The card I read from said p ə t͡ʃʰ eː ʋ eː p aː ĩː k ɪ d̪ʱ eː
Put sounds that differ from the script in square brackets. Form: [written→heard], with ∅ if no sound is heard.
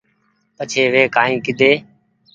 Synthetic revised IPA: p ə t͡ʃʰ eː ʋ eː [p→k] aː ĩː k ɪ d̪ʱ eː